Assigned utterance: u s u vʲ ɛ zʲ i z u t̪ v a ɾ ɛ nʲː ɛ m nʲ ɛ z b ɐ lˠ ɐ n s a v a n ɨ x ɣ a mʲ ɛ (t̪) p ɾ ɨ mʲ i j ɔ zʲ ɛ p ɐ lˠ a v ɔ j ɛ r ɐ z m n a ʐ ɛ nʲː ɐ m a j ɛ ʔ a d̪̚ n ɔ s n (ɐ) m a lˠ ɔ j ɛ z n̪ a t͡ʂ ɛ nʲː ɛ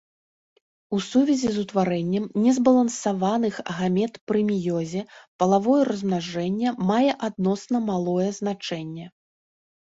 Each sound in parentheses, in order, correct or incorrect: correct, correct

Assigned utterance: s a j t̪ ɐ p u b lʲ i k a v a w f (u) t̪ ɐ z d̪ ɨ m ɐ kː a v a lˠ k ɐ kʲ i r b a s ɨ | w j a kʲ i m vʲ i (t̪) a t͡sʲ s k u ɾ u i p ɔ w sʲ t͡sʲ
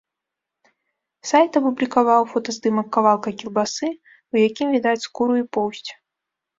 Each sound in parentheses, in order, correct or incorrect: incorrect: ɔ, incorrect: d̪

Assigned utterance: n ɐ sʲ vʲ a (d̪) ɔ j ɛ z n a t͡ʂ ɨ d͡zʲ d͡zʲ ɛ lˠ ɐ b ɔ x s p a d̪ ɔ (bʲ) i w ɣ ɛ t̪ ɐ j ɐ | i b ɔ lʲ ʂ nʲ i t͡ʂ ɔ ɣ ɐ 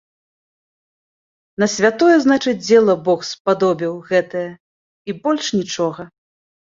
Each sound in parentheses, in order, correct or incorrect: incorrect: t̪, correct

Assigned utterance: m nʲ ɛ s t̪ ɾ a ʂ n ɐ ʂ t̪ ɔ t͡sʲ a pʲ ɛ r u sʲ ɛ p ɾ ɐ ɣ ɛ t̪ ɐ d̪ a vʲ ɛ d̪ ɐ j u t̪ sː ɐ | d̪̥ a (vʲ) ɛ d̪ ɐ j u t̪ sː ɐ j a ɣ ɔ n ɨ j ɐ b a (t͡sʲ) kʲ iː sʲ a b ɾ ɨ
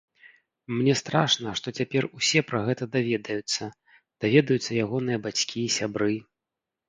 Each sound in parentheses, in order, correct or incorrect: correct, correct

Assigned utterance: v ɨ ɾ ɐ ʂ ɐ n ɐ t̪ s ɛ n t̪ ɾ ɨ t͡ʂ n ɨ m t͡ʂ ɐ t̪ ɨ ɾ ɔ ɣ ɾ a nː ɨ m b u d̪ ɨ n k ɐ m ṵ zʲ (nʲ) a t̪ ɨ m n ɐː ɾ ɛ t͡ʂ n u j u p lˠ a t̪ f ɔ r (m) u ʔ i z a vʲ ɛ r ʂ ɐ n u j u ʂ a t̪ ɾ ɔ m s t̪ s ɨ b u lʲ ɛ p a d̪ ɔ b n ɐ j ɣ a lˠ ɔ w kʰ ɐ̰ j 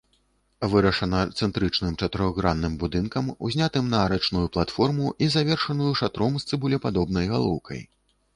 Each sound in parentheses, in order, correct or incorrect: correct, correct

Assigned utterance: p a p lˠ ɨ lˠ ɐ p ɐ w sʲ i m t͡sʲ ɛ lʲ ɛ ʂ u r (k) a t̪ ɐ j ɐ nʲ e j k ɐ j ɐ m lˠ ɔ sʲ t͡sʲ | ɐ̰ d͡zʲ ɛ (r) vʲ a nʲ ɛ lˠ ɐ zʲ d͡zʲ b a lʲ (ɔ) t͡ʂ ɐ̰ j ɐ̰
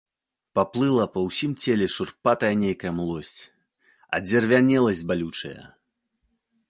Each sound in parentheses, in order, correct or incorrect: incorrect: p, correct, incorrect: u

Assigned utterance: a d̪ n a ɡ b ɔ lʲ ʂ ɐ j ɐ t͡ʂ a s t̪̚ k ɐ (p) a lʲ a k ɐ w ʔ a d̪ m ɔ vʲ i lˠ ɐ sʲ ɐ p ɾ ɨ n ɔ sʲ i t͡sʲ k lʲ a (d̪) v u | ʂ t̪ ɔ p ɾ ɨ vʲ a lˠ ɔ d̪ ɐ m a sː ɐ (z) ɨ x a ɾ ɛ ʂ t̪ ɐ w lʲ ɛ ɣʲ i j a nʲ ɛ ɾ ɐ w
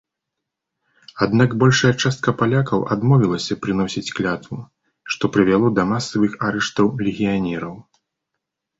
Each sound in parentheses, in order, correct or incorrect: correct, incorrect: t̪, incorrect: v

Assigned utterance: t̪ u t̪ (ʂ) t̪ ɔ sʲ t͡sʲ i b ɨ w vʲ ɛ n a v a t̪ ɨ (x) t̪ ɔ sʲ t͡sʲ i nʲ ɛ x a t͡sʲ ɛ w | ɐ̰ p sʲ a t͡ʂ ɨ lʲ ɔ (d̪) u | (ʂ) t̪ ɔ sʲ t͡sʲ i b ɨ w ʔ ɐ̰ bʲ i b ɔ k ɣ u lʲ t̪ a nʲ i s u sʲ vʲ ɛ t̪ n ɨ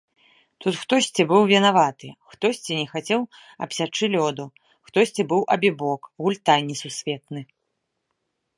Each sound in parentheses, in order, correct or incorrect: incorrect: x, correct, correct, incorrect: x

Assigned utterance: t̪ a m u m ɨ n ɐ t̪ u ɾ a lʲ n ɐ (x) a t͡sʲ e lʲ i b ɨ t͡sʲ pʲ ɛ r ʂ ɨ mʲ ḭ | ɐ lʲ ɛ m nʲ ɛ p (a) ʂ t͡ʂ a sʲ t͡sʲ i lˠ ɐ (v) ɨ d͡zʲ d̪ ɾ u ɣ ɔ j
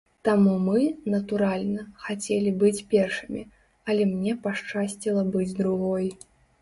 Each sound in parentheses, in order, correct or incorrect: correct, correct, incorrect: b

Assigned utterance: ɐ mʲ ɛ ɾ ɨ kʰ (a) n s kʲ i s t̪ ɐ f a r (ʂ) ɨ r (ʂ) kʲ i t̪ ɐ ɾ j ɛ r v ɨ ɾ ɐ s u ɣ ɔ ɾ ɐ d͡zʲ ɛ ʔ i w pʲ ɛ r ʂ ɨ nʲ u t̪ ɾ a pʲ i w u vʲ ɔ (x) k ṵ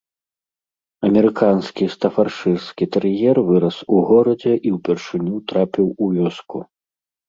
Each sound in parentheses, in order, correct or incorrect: correct, correct, incorrect: s, incorrect: s

